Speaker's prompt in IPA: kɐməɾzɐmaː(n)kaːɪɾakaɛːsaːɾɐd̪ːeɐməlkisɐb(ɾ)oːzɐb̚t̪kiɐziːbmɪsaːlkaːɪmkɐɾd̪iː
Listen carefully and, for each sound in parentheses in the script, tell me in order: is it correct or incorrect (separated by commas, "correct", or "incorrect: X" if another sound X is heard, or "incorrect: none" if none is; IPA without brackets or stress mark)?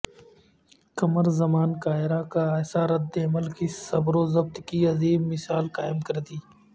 correct, correct